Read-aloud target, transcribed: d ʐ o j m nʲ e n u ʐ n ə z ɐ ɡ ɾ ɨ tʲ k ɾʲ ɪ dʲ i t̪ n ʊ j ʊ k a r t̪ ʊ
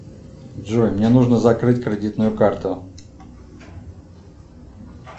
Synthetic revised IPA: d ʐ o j m nʲ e n u ʐ n ə z ɐ k ɾ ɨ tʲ k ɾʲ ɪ dʲ i t̪ n ʊ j ʊ k a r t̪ ʊ